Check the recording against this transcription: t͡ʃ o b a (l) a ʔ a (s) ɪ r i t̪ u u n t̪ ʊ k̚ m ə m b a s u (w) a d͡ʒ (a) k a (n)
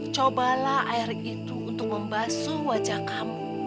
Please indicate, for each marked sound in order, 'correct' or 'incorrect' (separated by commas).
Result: correct, incorrect, correct, correct, incorrect